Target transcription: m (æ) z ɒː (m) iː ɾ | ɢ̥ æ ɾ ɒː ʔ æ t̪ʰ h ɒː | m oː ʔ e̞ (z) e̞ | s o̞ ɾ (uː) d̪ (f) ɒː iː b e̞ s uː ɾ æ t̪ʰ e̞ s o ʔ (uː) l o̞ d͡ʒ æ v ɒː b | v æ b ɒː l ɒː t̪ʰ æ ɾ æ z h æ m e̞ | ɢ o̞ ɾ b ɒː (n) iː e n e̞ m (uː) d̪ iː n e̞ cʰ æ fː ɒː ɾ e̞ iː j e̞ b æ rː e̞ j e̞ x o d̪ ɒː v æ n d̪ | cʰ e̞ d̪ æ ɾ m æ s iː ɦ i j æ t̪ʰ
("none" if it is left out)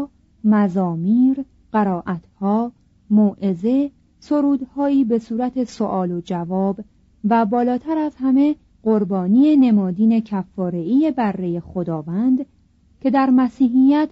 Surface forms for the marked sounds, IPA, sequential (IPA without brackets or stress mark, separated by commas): æ, m, z, uː, h, ɒː, n, ɒː